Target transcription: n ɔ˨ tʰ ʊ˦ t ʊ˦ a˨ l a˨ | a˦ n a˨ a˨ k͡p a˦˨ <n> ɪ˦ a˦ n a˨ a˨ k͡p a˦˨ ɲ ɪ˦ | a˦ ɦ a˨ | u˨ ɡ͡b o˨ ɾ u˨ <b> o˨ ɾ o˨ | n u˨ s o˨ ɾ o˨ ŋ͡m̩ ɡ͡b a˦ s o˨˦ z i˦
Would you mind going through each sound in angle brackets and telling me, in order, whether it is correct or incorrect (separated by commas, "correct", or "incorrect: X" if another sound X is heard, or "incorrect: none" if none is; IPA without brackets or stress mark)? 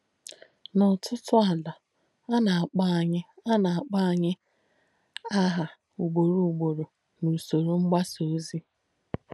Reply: incorrect: ɲ, incorrect: ɡ͡b